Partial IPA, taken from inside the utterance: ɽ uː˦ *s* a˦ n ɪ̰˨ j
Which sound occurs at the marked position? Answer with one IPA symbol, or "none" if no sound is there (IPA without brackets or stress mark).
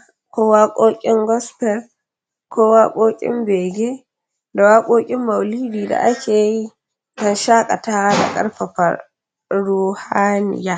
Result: h